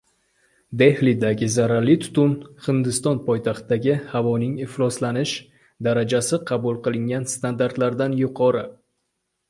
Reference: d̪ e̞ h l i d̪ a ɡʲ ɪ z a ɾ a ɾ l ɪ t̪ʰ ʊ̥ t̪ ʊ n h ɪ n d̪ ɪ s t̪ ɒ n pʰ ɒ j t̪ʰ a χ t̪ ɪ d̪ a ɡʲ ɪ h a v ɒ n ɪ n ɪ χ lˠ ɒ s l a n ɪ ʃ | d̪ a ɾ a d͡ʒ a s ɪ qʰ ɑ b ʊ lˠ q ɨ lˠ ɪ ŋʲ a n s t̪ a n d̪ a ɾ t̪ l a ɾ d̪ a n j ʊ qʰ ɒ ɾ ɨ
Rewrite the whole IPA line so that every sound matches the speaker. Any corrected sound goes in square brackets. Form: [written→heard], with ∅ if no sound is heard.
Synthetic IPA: d̪ e̞ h l i d̪ a ɡʲ ɪ z a ɾ a ɾ l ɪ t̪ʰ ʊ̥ t̪ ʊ n h ɪ n d̪ ɪ s t̪ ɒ n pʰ ɒ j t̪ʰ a χ t̪ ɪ d̪ a ɡʲ ɪ h a v ɒ n ɪ [n→ŋ] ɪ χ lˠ ɒ s l a n ɪ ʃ | d̪ a ɾ a d͡ʒ a s ɪ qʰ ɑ b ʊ lˠ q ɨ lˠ ɪ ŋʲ a n s t̪ a n d̪ a ɾ t̪ l a ɾ d̪ a n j ʊ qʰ ɒ ɾ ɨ